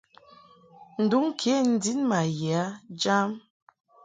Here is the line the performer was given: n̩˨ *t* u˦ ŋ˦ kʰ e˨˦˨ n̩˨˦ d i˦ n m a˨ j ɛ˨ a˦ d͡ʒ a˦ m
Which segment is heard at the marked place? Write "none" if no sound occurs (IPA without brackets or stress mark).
d